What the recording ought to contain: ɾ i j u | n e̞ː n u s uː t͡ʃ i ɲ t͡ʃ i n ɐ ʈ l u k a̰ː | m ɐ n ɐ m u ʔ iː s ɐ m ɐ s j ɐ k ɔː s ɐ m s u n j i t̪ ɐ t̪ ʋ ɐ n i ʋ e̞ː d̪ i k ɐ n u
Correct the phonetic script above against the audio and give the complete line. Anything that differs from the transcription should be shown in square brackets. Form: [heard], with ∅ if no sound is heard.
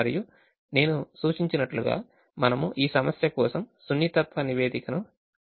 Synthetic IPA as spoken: ɾ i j u | n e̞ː n u s uː t͡ʃ i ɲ t͡ʃ i n ɐ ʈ l u [ɡ] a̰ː | m ɐ n ɐ m u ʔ iː s ɐ m ɐ s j ɐ k ɔː s ɐ m s u n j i t̪ ɐ t̪ ʋ ɐ n i ʋ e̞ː d̪ i k ɐ n u